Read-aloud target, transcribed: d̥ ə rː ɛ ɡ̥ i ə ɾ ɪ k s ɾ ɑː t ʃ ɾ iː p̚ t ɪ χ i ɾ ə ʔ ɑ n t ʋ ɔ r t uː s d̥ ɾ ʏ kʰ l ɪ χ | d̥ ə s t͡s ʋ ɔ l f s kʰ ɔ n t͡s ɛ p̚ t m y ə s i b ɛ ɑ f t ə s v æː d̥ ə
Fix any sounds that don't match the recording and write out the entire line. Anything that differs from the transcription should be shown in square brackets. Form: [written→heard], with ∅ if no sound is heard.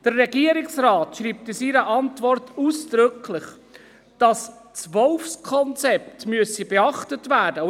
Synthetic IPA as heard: d̥ ə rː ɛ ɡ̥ i ə ɾ ɪ k s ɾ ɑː t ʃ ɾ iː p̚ t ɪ [χ→s] i ɾ ə ʔ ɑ n t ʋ ɔ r t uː s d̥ ɾ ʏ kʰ l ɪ χ | d̥ [ə→ɑ] s t͡s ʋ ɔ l f s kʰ ɔ n t͡s ɛ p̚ t m y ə s i b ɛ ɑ [f→χ] t ə [s→t] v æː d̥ ə